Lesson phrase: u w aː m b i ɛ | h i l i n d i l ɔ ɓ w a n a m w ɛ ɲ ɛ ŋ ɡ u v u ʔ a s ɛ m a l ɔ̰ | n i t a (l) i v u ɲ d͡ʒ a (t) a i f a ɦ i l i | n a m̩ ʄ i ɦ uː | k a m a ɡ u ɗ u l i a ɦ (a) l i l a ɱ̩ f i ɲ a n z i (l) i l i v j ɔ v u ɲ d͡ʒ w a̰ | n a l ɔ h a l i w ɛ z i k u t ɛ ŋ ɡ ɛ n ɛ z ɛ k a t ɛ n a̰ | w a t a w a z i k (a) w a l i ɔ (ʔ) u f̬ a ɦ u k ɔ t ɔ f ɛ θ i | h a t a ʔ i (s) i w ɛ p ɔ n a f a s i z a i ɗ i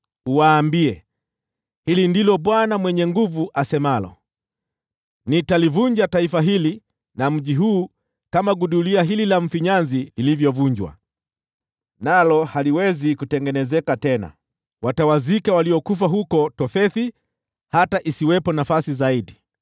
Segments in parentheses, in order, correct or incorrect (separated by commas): correct, correct, incorrect, correct, correct, incorrect, correct